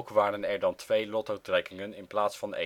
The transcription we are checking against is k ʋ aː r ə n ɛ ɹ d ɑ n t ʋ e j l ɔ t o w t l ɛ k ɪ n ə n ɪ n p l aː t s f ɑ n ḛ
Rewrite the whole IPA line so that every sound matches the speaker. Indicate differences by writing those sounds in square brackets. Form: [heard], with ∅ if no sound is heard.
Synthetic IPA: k ʋ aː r ə n ɛ ɹ d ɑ n t ʋ e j l ɔ t o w t [r] ɛ k ɪ [ŋ] ə n ɪ n p l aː t s f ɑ n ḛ